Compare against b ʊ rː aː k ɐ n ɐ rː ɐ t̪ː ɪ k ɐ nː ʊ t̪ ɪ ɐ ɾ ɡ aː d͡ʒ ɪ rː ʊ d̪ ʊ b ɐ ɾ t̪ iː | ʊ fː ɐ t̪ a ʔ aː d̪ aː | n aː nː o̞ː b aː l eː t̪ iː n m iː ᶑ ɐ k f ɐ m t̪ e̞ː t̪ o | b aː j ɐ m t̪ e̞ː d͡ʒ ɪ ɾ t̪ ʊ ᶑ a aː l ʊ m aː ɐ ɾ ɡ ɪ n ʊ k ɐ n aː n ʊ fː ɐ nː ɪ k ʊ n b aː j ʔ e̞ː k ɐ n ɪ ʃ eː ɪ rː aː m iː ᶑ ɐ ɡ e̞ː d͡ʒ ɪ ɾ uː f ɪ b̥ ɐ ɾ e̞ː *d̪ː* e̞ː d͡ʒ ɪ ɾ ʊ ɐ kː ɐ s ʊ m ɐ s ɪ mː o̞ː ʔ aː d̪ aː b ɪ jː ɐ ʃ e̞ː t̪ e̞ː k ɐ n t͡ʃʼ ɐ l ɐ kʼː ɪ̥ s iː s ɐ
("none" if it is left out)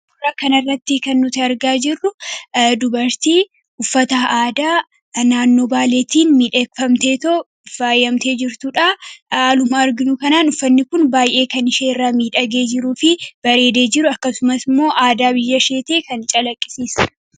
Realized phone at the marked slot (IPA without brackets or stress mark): d̪